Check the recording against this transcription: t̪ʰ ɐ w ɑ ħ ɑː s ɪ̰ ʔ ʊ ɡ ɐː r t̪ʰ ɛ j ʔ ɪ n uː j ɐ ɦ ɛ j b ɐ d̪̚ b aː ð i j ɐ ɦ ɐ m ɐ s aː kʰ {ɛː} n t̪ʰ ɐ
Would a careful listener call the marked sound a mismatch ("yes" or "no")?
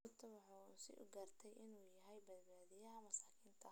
yes